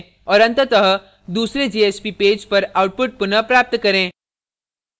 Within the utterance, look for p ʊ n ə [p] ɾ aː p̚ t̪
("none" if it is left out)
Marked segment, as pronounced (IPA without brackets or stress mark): p